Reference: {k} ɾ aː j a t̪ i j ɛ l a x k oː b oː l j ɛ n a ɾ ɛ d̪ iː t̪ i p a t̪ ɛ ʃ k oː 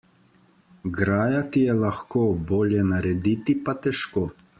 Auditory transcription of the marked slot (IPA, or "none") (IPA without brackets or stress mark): ɡ